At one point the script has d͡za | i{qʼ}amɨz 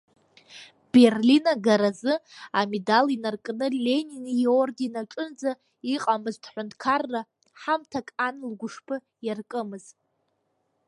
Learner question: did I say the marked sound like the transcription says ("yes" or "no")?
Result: yes